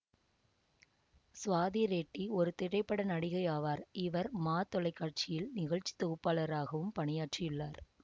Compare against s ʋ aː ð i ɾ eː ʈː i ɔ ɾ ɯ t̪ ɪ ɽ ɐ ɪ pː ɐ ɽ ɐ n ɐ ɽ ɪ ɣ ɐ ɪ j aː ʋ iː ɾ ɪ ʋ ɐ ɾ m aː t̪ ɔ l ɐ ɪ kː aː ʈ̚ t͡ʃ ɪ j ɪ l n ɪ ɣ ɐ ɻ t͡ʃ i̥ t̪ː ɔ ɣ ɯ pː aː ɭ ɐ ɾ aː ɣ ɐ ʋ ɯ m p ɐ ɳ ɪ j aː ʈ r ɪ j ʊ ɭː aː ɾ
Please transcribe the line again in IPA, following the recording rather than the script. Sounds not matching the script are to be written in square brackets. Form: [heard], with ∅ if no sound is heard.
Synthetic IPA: s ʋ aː ð i ɾ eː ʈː i ɔ ɾ ɯ t̪ ɪ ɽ ɐ ɪ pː ɐ ɽ ɐ n ɐ ɽ ɪ ɣ ɐ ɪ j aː ʋ [aː] ɾ ɪ ʋ ɐ ɾ m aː t̪ ɔ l ɐ ɪ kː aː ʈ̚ t͡ʃ ɪ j ɪ l n ɪ ɣ ɐ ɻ t͡ʃ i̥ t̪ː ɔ ɣ ɯ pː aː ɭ ɐ ɾ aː ɣ ɐ ʋ ɯ m p ɐ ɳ ɪ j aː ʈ r ɪ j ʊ ɭː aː ɾ